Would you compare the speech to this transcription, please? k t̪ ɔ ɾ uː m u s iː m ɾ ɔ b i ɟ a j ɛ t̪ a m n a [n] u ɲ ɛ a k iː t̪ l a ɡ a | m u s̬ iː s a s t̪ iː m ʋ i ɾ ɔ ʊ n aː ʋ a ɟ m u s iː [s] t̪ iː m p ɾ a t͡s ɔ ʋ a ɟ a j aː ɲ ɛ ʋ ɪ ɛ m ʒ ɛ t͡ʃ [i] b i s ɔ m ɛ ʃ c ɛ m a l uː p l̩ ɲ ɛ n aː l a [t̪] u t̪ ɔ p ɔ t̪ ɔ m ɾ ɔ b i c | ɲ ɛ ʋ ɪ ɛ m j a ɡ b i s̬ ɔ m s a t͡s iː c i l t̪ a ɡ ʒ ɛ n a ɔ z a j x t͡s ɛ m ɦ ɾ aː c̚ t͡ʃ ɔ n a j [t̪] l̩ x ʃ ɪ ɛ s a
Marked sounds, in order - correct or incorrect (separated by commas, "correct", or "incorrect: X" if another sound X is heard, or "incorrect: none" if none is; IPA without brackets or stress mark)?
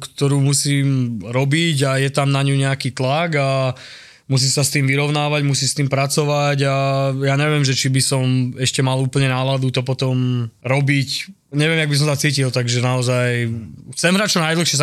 incorrect: ɲ, correct, correct, incorrect: d̪, incorrect: d̪